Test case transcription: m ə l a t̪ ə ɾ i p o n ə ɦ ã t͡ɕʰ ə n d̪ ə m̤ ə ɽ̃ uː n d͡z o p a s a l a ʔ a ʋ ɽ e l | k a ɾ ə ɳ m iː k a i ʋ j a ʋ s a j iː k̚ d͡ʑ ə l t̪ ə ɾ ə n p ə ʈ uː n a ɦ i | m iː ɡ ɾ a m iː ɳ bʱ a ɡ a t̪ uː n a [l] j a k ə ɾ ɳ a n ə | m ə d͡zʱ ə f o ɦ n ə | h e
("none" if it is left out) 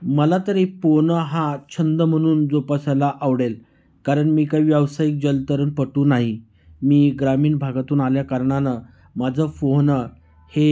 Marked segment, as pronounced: l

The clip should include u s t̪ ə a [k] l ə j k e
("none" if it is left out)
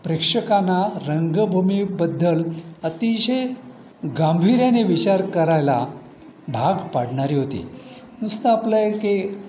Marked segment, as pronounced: p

